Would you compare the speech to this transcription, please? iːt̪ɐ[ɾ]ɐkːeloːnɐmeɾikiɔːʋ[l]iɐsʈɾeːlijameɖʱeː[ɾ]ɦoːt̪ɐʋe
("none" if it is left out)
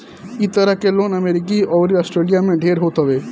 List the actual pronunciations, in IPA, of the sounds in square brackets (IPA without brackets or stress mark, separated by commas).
ɾ, ɾ, ɾ